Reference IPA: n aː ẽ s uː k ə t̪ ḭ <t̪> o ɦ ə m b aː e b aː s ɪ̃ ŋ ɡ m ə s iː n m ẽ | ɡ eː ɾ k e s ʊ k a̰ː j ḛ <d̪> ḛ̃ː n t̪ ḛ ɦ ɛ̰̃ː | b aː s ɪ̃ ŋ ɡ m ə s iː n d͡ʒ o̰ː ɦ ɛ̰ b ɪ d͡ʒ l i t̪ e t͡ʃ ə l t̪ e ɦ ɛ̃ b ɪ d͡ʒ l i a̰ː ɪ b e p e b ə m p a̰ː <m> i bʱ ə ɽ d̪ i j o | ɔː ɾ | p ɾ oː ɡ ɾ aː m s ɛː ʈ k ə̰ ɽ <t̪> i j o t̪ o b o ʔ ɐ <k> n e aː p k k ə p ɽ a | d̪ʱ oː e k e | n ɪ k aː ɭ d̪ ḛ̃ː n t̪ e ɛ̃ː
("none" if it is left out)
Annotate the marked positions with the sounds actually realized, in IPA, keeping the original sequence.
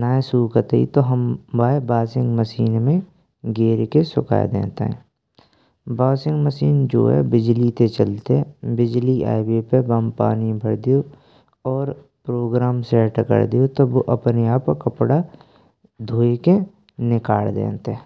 t̪, d̪, n, d̪, p

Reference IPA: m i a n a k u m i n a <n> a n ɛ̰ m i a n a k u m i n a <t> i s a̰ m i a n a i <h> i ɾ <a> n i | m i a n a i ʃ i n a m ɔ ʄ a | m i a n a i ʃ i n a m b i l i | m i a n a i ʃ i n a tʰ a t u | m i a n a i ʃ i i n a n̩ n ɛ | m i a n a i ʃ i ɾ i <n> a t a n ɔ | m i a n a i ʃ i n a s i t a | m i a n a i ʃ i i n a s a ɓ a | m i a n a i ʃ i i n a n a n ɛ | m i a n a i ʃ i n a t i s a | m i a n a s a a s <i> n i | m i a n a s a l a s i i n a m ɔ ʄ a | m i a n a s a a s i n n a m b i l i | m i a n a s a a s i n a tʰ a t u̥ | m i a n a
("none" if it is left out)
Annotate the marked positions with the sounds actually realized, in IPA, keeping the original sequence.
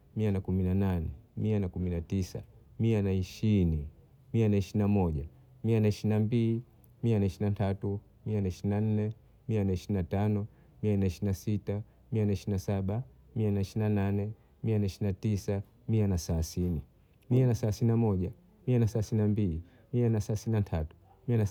n, t, ʃ, i, n, i

